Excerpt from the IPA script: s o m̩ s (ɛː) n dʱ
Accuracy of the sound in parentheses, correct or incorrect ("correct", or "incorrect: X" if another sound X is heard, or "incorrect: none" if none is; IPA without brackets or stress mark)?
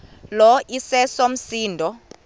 incorrect: iː